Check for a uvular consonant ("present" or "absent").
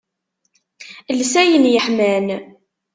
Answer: absent